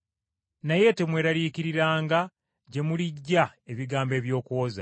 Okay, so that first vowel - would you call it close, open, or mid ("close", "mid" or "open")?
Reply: open